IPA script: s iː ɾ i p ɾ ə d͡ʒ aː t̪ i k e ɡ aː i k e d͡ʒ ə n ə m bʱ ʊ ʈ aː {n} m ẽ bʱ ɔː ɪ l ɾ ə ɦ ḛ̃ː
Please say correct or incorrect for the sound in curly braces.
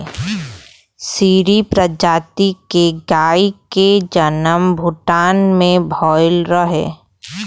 correct